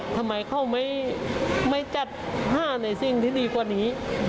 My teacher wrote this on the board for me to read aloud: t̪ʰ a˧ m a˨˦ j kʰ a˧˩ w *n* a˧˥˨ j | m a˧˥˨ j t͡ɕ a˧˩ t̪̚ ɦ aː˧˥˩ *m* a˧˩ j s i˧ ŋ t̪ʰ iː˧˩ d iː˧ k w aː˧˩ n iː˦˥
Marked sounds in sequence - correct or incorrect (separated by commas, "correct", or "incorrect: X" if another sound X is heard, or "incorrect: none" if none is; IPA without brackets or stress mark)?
incorrect: m, incorrect: n